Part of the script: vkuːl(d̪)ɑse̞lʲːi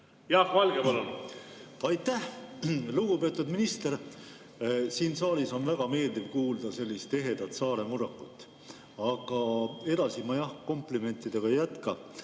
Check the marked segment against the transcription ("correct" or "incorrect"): correct